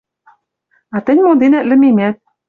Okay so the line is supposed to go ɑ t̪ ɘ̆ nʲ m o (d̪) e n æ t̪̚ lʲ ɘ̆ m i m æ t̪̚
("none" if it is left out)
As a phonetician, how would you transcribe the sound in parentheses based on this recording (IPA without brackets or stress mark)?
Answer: d̪